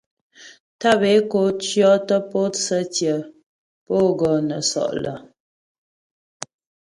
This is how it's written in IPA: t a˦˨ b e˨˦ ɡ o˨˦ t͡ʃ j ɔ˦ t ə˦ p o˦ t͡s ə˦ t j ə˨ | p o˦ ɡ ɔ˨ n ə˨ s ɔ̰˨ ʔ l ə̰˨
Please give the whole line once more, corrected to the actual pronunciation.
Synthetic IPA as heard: t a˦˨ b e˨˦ k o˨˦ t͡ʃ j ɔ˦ t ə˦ p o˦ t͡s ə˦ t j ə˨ | p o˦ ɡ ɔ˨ n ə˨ s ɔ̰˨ ʔ l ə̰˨